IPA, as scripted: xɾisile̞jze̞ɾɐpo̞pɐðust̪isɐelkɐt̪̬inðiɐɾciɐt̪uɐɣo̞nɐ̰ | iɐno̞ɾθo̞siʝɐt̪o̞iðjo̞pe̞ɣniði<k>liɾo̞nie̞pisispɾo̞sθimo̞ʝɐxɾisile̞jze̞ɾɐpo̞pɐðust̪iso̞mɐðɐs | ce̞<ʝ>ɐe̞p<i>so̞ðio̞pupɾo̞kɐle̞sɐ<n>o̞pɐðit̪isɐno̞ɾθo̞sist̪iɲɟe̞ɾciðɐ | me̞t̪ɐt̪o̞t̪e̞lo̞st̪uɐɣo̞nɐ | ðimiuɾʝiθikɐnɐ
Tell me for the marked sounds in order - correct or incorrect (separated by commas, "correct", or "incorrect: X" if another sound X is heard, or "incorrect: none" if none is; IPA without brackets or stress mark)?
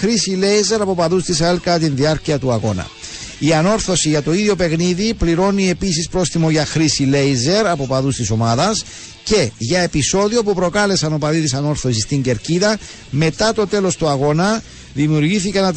incorrect: p, correct, correct, correct